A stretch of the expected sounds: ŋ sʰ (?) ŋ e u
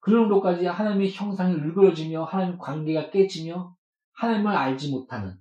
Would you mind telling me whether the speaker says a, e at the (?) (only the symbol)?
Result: a